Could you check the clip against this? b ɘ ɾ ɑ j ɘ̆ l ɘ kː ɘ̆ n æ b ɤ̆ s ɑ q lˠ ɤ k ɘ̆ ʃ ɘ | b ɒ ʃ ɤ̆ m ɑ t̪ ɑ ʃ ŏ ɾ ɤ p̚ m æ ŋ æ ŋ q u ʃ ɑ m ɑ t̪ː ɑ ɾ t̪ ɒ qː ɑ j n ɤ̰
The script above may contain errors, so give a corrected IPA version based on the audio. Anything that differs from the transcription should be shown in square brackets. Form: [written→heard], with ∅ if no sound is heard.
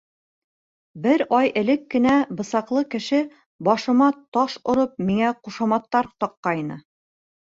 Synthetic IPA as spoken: b ɘ ɾ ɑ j ɘ̆ l ɘ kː ɘ̆ n æ b ɤ̆ s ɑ q lˠ ɤ k ɘ̆ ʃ ɘ | b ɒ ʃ ɤ̆ m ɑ t̪ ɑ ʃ ŏ ɾ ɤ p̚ m [æ→i] ŋ æ [ŋ→∅] q u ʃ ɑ m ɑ t̪ː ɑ ɾ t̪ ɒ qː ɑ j n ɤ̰